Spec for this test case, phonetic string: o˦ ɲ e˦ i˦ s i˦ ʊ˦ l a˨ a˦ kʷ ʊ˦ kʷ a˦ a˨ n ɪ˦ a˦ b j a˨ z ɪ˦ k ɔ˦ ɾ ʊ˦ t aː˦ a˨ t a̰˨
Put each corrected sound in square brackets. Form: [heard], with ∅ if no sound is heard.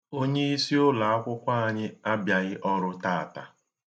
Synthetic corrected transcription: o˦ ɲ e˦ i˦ s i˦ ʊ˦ l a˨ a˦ kʷ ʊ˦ kʷ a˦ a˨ [ɲ] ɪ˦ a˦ b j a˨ [ɣ] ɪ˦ [ʔ] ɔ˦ ɾ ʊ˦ t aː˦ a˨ t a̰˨